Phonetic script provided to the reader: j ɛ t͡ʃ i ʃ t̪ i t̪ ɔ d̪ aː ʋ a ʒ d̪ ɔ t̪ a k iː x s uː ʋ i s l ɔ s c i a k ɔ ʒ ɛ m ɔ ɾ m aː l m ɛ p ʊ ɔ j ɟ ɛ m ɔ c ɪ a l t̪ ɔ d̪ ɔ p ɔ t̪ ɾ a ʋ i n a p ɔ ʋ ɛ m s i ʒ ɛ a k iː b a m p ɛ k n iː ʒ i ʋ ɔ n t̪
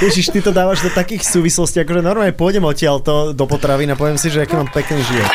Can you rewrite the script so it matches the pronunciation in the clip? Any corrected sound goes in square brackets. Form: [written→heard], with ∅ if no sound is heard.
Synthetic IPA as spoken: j ɛ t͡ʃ i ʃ t̪ i t̪ ɔ d̪ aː ʋ a ʒ d̪ ɔ t̪ a k iː x s uː ʋ i s l ɔ s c i a k ɔ ʒ ɛ [m→n] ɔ ɾ m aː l [m→ɲ] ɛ p ʊ ɔ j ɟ ɛ m ɔ c ɪ a l t̪ ɔ d̪ ɔ p ɔ t̪ ɾ a ʋ i n a p ɔ ʋ ɛ m s i ʒ ɛ a k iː [b→m] a m p ɛ k n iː ʒ i ʋ ɔ [n→∅] t̪